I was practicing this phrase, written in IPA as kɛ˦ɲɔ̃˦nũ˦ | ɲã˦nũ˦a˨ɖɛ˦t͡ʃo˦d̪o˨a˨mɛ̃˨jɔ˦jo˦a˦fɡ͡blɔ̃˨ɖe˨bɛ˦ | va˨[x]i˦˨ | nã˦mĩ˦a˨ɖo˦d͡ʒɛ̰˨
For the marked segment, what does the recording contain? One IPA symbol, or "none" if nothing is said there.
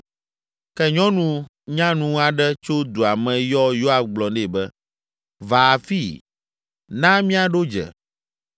f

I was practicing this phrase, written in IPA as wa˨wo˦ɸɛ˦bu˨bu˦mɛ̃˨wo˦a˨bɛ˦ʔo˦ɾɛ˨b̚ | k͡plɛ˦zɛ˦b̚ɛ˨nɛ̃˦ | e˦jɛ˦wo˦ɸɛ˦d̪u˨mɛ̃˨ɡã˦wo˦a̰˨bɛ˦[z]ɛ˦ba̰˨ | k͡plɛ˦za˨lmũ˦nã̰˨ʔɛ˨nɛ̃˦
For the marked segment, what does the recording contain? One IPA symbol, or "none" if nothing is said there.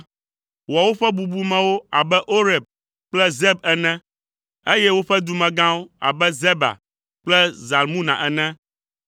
z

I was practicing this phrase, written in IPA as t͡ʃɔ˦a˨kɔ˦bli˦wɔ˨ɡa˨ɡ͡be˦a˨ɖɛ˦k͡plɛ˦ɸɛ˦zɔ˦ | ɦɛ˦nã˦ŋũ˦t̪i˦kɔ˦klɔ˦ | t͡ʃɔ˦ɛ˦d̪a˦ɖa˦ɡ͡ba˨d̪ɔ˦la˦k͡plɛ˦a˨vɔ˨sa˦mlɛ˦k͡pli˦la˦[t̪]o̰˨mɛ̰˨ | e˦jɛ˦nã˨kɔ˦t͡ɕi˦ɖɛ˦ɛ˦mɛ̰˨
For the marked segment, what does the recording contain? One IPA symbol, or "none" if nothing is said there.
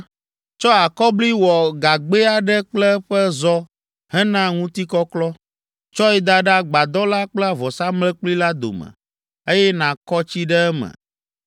d̪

